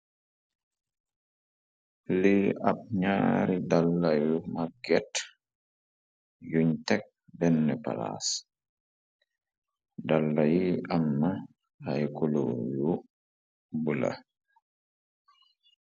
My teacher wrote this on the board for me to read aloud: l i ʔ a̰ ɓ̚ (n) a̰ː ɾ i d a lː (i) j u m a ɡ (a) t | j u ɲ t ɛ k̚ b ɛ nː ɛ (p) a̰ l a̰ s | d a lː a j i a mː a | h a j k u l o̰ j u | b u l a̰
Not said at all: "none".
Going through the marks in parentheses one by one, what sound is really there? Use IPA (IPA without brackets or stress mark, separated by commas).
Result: ɲ, a, ɛ, p